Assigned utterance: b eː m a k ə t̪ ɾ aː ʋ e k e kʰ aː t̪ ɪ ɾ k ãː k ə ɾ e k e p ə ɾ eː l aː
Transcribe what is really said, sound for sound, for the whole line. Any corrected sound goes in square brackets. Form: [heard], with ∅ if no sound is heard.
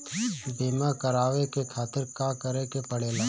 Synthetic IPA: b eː m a k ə [∅] ɾ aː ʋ e k e kʰ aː t̪ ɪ ɾ k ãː k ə ɾ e k e p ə [ɽ] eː l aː